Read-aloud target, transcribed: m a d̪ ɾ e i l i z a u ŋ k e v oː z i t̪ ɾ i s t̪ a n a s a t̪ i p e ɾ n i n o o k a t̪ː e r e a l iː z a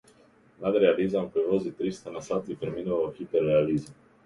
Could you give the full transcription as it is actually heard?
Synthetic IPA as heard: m a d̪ ɾ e a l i z a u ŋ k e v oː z i t̪ ɾ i s t̪ a n a s a t̪ i p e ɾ m i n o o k i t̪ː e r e a l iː z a